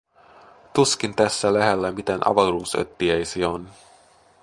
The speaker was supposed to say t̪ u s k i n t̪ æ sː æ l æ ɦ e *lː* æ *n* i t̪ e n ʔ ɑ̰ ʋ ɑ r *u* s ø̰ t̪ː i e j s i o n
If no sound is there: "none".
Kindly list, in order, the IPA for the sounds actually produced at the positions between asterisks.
lː, m, uː

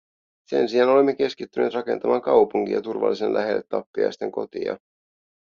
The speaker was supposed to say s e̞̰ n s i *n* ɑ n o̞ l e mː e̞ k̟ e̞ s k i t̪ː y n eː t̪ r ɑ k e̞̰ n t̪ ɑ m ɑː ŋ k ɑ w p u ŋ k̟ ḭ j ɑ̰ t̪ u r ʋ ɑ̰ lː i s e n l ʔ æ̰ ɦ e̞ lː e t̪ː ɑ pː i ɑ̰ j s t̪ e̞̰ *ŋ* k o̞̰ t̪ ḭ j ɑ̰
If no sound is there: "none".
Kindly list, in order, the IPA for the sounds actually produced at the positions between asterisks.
none, ŋ

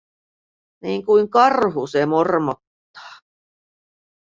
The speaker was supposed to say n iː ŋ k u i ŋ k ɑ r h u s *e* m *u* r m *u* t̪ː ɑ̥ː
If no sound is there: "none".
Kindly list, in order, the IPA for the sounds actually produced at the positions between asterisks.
e, o, o

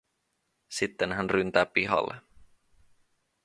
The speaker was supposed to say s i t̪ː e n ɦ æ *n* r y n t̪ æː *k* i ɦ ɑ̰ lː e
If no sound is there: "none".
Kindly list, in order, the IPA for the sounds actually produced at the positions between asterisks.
n, p

